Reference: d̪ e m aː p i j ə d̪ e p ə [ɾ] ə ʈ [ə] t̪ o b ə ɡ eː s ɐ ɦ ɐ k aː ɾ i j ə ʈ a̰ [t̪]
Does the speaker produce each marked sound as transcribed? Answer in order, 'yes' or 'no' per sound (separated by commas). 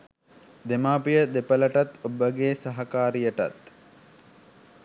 no, no, yes